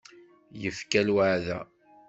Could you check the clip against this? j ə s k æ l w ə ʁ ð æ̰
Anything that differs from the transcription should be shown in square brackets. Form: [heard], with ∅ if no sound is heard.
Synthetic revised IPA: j ə [f] k æ l w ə [ʕ] ð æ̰